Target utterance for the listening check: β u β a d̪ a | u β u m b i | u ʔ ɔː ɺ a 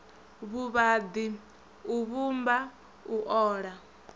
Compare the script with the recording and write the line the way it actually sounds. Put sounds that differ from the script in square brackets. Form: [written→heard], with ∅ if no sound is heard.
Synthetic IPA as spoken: β u β a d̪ [a→i] | u β u m b [i→a] | u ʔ ɔː ɺ a